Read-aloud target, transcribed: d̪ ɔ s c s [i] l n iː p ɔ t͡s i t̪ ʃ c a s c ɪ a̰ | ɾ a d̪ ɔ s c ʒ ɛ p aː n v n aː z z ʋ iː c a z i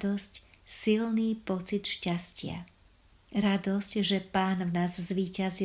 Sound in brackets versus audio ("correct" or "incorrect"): correct